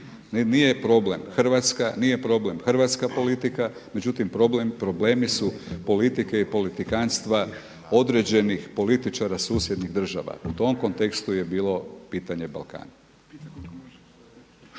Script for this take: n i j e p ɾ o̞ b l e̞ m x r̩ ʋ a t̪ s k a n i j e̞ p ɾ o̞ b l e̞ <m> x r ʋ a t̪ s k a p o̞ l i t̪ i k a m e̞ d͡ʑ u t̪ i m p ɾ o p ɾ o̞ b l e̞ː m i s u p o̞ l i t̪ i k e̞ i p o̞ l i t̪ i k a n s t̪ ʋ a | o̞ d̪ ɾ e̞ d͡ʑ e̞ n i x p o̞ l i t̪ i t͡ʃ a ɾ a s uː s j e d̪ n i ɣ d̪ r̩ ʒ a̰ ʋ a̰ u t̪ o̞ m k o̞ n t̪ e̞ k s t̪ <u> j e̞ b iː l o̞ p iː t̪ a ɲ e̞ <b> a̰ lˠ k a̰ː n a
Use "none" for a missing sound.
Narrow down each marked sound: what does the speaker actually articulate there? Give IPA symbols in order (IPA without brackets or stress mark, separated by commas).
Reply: m, u, b